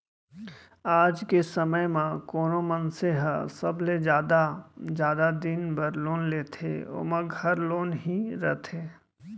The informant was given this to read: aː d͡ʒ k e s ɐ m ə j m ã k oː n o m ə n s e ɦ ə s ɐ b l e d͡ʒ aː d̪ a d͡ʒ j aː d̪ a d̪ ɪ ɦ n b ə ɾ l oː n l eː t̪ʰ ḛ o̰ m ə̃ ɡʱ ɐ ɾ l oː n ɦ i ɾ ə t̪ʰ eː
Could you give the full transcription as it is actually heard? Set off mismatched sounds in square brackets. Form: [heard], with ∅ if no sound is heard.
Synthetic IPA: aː d͡ʒ k e s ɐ m ə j m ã k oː n o m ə n s e ɦ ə s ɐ b l e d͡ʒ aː d̪ a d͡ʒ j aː d̪ a d̪ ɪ [∅] n b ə ɾ l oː n l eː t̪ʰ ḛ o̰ m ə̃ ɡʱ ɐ ɾ l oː n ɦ i ɾ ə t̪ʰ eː